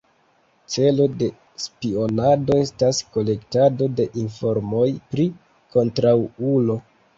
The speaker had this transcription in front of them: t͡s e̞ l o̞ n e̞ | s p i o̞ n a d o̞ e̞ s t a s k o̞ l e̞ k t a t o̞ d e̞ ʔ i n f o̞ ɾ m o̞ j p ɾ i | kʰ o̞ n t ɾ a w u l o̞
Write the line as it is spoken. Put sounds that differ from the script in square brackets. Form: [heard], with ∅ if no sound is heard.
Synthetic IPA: t͡s e̞ l o̞ [d] e̞ | s p i o̞ n a d o̞ e̞ s t a s k o̞ l e̞ k t a [d] o̞ d e̞ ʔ i n f o̞ ɾ m o̞ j p ɾ i | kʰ o̞ n t ɾ a w u l o̞